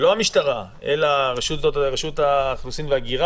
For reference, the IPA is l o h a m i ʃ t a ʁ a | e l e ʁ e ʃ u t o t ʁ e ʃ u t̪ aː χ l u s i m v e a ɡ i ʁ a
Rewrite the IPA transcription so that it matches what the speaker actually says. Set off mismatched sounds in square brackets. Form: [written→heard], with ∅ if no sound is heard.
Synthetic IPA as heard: l o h a m i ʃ t a ʁ a | e l [e→a] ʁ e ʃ u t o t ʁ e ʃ u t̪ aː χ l u s i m v e a ɡ i ʁ a